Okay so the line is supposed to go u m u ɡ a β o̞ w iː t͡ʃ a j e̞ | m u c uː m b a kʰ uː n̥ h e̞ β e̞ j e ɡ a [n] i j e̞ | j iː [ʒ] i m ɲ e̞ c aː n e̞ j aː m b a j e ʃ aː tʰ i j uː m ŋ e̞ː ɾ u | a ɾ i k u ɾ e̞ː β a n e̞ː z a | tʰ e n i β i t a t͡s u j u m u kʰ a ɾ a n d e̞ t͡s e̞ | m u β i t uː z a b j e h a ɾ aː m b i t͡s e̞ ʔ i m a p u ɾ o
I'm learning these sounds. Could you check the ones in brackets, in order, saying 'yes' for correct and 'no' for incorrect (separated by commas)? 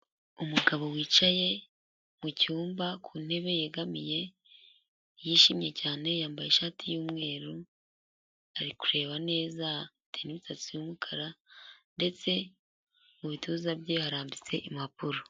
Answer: no, no